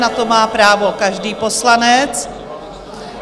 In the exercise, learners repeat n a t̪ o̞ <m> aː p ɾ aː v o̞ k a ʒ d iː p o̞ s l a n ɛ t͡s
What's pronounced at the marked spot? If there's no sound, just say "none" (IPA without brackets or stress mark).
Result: m